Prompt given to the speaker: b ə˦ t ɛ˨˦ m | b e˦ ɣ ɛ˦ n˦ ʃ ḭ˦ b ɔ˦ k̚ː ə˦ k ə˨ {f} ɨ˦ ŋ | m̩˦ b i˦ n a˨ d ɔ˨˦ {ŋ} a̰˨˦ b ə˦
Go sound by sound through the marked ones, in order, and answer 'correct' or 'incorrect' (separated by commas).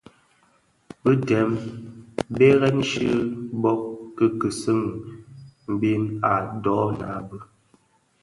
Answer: incorrect, incorrect